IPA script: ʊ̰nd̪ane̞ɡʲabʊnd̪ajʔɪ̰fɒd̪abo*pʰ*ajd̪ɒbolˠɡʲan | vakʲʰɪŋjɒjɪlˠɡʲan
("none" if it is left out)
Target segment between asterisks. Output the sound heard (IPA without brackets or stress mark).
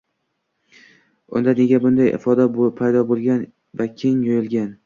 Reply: pʰ